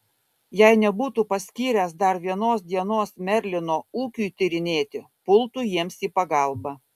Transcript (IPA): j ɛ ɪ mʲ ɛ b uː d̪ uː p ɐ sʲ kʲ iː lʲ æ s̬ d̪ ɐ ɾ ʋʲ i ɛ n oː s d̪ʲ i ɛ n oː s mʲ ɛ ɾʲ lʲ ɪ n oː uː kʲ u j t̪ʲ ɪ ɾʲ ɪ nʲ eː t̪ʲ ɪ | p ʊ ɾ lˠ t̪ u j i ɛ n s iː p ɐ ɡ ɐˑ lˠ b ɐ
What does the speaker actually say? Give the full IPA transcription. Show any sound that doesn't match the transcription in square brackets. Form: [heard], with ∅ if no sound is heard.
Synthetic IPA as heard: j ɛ ɪ [nʲ] ɛ b uː [t̪] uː p ɐ sʲ kʲ iː [ɾʲ] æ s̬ d̪ ɐ ɾ ʋʲ i ɛ n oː s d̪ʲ i ɛ n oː s mʲ ɛ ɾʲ lʲ ɪ n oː uː kʲ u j t̪ʲ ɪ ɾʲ ɪ nʲ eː t̪ʲ ɪ | p ʊ [∅] lˠ t̪ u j i ɛ [m] s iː p ɐ ɡ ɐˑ lˠ b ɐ